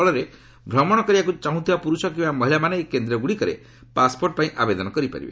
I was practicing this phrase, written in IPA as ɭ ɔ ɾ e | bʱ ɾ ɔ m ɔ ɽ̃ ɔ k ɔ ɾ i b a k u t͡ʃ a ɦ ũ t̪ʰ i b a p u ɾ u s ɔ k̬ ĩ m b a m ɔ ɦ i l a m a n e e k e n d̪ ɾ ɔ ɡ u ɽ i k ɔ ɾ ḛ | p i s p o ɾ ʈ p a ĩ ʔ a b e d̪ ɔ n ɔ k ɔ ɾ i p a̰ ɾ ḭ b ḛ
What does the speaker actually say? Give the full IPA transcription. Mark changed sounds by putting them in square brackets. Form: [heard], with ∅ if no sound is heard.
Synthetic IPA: ɭ ɔ ɾ e | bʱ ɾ ɔ m ɔ ɽ̃ ɔ k ɔ ɾ i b a k u t͡ʃ a ɦ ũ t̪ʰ i b a p u ɾ u s ɔ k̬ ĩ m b a m ɔ ɦ i l a m a n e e k e n d̪ ɾ ɔ ɡ u ɽ i k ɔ ɾ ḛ | p [a] s p o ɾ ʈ p a ĩ ʔ a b e d̪ ɔ n ɔ k ɔ ɾ i p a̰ ɾ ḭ b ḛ